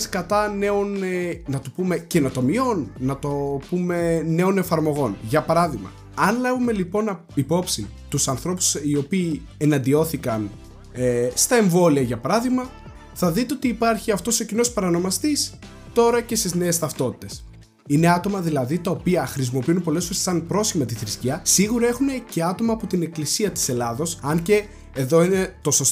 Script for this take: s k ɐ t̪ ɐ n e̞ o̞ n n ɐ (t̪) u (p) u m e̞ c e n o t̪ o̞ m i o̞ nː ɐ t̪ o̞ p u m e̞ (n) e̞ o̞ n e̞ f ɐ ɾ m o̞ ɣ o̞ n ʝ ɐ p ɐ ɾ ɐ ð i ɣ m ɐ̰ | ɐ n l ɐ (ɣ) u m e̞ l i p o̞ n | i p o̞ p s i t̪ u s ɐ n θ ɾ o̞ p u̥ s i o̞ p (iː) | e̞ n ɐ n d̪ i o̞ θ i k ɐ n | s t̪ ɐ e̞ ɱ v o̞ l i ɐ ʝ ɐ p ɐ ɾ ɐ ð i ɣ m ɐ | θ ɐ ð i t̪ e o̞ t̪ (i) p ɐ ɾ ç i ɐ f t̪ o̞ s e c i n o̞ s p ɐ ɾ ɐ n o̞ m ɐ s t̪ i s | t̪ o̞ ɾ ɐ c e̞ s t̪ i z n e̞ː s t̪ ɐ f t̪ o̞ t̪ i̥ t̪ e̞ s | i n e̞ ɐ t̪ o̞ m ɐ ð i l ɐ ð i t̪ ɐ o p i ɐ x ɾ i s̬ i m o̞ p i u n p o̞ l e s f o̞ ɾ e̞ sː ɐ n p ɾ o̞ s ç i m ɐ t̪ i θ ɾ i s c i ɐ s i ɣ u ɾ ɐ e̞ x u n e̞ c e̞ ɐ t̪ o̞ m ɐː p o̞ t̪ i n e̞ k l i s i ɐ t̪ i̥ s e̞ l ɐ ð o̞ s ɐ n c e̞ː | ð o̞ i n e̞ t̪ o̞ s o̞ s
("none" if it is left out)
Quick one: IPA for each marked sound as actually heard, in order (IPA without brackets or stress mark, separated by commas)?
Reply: t̪, p, n, v, iː, iː